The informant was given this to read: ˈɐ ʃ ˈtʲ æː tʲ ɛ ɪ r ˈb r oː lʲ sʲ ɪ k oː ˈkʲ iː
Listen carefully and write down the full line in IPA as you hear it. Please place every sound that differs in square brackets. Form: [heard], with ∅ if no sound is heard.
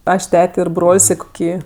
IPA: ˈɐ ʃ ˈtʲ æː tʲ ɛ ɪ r ˈb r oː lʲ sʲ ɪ k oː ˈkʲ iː